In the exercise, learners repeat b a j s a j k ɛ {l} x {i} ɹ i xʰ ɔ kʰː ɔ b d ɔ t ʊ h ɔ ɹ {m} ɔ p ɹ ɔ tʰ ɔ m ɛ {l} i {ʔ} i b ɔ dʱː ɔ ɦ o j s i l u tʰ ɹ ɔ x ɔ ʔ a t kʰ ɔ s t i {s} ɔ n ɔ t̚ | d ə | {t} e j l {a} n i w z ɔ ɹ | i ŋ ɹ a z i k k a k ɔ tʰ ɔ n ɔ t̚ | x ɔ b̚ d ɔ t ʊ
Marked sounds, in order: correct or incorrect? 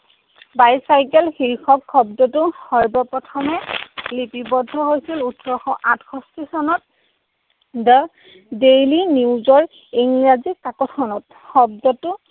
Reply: correct, correct, incorrect: b, correct, incorrect: p, correct, incorrect: d, incorrect: i

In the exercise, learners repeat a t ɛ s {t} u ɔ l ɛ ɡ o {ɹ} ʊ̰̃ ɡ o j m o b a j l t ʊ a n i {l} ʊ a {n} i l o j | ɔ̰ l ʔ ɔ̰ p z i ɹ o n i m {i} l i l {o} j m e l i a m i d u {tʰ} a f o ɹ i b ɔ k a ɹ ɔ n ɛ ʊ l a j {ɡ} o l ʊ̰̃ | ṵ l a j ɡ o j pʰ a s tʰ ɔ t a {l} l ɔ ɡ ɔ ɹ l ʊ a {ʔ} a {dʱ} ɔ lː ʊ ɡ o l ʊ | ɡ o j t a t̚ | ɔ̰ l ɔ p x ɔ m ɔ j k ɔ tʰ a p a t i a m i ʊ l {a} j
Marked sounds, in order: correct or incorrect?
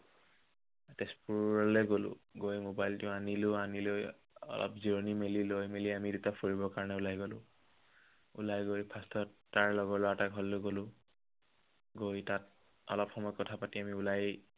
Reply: incorrect: p, incorrect: l, correct, correct, incorrect: e, correct, incorrect: t, correct, incorrect: ɹ, incorrect: t, incorrect: ɡʱ, correct

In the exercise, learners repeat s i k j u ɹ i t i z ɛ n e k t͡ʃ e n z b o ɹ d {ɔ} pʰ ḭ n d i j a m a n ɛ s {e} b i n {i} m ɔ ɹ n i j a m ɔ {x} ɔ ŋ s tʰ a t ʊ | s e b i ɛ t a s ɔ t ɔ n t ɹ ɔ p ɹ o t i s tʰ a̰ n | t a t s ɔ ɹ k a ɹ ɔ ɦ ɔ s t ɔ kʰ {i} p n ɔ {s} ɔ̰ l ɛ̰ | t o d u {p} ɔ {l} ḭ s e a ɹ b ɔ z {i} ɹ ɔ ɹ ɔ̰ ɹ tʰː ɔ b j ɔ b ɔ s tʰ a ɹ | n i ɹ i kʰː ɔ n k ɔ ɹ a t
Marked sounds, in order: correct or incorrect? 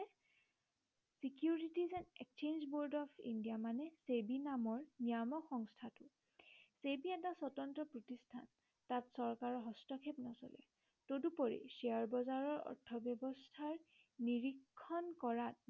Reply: correct, correct, incorrect: a, correct, incorrect: e, correct, correct, incorrect: ɹ, incorrect: a

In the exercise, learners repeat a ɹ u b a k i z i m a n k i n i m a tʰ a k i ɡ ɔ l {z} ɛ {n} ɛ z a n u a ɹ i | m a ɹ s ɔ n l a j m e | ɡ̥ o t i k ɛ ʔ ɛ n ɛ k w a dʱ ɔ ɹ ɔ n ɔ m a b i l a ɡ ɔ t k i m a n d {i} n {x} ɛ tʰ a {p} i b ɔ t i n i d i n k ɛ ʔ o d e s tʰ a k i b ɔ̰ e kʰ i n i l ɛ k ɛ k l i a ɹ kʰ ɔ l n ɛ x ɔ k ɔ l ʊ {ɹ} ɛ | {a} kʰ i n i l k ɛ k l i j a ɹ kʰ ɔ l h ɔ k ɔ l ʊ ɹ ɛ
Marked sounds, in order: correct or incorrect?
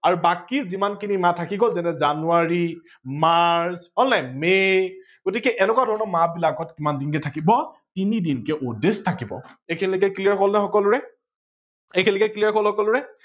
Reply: correct, correct, correct, incorrect: k, incorrect: k, correct, incorrect: e

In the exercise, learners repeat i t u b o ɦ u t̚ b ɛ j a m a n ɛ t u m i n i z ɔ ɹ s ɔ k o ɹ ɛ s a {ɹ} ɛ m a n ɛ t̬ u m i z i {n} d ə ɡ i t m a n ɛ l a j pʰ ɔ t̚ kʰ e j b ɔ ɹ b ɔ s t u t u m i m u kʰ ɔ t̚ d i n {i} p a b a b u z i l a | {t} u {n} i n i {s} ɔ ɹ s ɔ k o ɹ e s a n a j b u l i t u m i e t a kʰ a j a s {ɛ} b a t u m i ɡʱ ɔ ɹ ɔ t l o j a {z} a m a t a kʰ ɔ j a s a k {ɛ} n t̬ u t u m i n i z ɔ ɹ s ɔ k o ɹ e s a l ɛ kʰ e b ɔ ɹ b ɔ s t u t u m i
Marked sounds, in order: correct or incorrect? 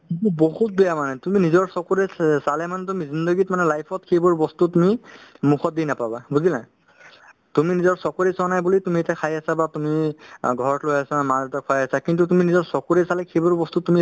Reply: incorrect: l, correct, incorrect: a, correct, incorrect: m, incorrect: z, incorrect: a, incorrect: s, incorrect: i

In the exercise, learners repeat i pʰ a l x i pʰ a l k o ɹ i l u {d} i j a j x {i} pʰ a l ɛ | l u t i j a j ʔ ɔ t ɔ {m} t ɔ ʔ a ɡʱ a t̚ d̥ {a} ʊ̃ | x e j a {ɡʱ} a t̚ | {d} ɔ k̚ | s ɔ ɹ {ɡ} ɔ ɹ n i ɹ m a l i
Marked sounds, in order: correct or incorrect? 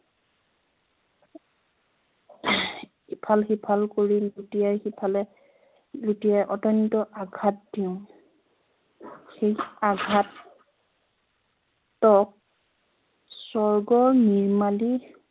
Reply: incorrect: t, correct, incorrect: n, incorrect: i, correct, incorrect: t, correct

